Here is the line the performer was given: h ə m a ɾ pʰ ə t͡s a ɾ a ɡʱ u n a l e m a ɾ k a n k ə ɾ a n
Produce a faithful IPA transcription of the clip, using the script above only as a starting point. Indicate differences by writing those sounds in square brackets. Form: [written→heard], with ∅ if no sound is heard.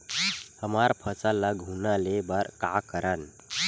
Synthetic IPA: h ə m a ɾ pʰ ə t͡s a [ɾ→l] a ɡʱ u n a l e [m→b] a ɾ k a [n→∅] k ə ɾ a n